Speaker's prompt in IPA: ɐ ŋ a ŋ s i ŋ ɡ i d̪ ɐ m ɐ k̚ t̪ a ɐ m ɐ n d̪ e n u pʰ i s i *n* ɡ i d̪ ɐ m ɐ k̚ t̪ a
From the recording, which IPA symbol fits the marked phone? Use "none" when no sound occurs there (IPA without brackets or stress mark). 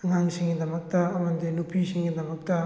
ŋ